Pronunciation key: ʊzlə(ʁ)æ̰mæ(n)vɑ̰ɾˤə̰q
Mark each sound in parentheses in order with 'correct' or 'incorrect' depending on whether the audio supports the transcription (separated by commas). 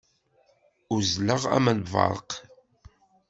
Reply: correct, correct